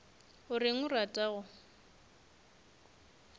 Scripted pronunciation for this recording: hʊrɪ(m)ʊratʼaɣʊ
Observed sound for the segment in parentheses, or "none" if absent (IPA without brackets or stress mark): ŋ